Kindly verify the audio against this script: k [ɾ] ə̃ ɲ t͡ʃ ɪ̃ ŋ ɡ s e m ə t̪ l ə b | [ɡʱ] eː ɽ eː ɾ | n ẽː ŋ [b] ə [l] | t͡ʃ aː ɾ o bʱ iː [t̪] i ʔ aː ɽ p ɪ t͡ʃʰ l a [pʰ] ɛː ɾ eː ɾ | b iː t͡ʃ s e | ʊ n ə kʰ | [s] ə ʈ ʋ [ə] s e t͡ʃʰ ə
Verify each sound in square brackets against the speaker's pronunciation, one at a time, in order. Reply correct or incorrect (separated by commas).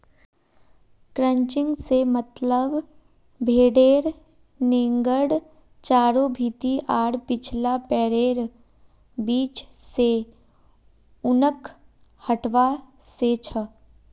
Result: correct, incorrect, incorrect, incorrect, correct, incorrect, incorrect, incorrect